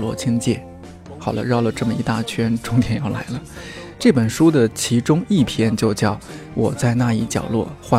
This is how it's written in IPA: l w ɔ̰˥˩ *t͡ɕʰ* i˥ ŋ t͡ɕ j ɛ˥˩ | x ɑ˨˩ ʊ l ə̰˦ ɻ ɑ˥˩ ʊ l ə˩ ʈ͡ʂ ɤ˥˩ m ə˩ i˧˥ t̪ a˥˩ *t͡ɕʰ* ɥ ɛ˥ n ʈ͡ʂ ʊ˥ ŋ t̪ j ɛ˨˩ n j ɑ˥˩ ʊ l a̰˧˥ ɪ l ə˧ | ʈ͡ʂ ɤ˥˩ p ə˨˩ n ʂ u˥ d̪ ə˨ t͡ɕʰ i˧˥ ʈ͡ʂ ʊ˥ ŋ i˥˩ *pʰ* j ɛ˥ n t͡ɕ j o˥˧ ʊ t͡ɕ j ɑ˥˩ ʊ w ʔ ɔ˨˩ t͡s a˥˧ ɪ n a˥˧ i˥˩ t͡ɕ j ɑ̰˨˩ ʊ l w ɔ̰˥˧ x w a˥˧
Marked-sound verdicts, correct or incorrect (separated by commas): correct, correct, correct